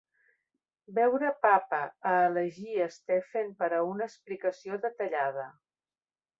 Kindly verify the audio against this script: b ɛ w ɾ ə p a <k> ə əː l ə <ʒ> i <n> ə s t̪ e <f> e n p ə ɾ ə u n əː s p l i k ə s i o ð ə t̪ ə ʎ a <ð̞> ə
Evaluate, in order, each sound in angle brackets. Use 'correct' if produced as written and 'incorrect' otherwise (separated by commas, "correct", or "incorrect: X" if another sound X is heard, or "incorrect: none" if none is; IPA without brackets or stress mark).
incorrect: p, correct, incorrect: none, correct, correct